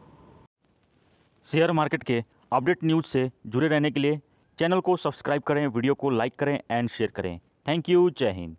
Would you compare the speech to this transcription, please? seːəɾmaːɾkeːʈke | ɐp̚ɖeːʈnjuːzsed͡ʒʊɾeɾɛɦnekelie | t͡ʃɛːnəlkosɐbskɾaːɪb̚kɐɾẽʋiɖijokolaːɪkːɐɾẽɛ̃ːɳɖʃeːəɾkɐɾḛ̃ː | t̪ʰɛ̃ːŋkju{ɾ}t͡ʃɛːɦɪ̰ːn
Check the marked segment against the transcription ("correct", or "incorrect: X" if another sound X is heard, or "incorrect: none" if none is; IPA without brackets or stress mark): incorrect: none